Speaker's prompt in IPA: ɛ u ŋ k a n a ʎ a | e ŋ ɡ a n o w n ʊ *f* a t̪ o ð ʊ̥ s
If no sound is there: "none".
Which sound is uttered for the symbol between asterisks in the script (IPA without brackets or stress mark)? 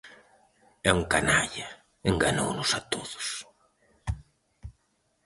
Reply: s